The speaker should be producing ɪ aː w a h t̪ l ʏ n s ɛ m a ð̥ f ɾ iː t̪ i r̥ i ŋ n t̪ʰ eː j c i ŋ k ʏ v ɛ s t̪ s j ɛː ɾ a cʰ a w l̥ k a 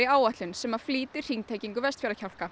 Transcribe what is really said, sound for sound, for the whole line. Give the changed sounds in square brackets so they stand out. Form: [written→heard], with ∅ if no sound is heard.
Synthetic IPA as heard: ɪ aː w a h t̪ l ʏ n s ɛ m a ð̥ f [ɾ→l] iː t̪ [i→ɪ] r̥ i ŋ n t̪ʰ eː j c i ŋ k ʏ v ɛ s t̪ [s→f] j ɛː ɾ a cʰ a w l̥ k a